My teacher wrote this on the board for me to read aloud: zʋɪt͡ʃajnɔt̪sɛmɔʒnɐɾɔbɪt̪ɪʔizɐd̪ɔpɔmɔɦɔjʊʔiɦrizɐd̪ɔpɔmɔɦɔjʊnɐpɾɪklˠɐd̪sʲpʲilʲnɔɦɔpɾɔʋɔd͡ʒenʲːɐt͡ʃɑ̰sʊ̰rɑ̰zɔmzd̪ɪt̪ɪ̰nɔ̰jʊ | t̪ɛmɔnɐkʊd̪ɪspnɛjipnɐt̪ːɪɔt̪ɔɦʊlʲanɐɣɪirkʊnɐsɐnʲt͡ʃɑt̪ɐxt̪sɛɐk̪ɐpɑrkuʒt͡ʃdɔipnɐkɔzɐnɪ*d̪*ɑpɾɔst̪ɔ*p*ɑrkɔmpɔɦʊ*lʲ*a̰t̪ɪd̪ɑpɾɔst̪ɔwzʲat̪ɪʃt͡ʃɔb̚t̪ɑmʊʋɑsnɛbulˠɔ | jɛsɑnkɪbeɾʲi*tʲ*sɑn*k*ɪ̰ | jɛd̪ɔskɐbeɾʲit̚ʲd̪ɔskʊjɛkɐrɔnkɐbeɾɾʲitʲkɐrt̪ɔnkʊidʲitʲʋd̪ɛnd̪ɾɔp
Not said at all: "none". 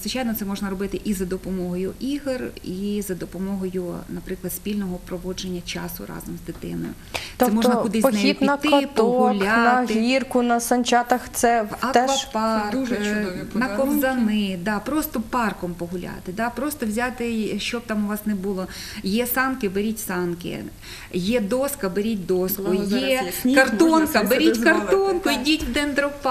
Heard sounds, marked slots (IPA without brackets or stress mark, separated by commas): d̪, p, lʲ, tʲ, k